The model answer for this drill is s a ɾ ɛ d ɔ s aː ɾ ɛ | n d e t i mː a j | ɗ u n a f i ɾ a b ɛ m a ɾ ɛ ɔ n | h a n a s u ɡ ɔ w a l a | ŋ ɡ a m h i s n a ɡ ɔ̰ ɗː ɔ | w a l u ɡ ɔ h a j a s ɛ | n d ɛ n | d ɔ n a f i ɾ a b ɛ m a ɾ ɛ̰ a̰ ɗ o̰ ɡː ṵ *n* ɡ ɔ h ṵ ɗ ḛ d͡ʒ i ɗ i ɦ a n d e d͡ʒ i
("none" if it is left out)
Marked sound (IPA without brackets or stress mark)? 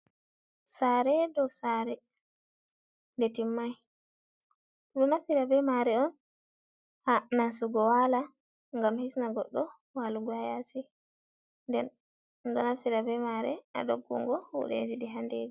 ŋ